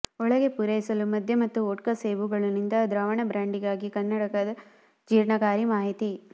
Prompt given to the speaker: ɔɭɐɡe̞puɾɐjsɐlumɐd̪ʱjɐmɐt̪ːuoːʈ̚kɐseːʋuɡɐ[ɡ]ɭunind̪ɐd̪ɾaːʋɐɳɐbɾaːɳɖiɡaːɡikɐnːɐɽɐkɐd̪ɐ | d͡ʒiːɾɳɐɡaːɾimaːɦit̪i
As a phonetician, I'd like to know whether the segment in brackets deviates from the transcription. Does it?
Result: yes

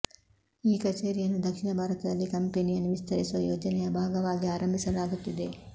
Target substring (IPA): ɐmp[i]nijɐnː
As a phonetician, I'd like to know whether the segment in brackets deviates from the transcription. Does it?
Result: yes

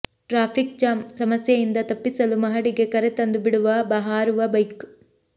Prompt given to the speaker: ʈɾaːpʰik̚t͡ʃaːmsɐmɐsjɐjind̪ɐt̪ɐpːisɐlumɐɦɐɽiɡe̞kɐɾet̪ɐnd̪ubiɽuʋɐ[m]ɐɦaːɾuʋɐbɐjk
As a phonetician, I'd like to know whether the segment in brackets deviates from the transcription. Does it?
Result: yes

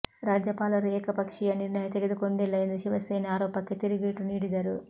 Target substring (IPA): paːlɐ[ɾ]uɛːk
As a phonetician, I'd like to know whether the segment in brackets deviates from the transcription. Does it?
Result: no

